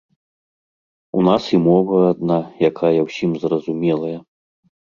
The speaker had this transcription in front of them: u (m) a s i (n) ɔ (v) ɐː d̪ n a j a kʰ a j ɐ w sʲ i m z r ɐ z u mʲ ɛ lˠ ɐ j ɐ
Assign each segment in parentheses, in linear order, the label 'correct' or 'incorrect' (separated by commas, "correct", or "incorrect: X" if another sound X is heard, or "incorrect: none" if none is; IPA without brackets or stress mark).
incorrect: n, incorrect: m, correct